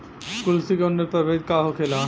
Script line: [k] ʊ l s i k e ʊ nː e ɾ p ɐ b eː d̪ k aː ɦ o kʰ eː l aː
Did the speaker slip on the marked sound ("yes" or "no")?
no